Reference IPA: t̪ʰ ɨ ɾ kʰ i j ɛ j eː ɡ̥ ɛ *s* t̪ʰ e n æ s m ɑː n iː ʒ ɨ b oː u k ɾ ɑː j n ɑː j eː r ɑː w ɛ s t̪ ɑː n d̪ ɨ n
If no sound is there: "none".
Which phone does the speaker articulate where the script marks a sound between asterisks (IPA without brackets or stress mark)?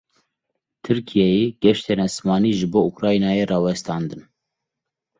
ʃ